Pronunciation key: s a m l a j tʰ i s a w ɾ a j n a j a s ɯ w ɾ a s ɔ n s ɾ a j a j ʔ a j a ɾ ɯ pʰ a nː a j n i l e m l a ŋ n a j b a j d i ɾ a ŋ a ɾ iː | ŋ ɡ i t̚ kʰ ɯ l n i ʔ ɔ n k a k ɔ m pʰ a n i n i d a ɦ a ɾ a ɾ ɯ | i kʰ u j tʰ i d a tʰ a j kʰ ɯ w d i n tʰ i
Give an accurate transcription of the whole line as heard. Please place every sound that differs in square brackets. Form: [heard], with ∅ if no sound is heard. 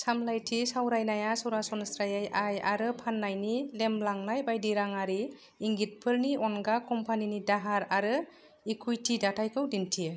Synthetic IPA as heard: s a m l a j tʰ i s a w ɾ a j n a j a s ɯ w ɾ a s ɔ n s ɾ a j a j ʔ a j a ɾ ɯ pʰ a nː a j n i l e m l a ŋ n a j b a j d i ɾ a ŋ a ɾ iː | ŋ ɡ i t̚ [pʰ] ɯ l n i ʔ ɔ n [ɡ] a k ɔ m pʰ a n i n i d a ɦ a ɾ a ɾ ɯ | i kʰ u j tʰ i d a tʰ a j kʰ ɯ w d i n tʰ i